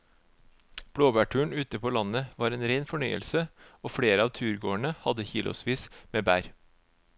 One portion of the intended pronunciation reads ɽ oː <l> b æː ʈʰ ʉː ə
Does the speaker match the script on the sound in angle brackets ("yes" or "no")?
no